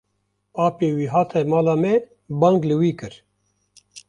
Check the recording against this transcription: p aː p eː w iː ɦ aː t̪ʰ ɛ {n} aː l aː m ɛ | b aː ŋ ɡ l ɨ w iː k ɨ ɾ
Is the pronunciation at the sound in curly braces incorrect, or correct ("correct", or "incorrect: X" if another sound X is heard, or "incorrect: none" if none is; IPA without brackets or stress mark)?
incorrect: m